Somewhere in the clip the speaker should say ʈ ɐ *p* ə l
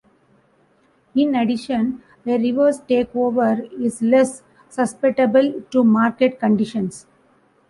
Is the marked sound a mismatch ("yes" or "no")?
yes